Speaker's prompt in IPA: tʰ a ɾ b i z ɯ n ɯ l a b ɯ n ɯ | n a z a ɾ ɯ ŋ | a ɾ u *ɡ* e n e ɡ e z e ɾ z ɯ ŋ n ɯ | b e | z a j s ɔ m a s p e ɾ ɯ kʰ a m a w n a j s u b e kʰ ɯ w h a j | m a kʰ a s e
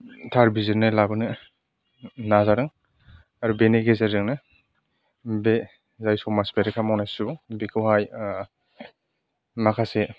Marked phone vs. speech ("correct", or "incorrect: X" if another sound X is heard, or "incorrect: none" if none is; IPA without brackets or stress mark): incorrect: b